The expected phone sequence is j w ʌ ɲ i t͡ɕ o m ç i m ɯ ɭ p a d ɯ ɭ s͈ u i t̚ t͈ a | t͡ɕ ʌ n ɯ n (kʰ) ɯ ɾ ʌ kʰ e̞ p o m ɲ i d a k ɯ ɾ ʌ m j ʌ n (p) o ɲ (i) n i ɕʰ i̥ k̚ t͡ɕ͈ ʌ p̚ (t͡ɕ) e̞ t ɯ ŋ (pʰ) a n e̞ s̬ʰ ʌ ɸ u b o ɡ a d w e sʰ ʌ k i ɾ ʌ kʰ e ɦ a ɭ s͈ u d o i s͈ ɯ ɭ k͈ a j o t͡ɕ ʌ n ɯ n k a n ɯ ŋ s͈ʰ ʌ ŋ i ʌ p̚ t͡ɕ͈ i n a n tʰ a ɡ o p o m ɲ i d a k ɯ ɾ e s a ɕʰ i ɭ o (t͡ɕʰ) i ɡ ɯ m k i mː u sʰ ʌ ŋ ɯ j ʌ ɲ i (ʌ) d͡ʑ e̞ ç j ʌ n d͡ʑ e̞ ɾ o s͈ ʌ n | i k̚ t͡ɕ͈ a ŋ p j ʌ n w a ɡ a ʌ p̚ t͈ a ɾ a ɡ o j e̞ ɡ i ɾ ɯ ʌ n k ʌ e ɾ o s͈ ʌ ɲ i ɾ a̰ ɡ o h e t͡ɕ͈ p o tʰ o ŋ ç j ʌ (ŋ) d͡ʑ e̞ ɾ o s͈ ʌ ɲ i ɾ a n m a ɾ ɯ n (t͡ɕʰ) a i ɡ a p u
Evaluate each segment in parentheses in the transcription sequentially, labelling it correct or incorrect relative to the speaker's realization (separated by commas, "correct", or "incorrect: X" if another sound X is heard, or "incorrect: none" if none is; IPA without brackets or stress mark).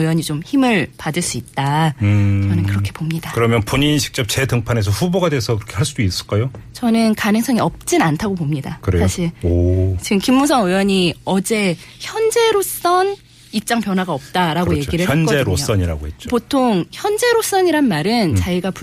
incorrect: k, correct, correct, correct, correct, incorrect: t͡ɕ, correct, incorrect: n, incorrect: t͡ɕ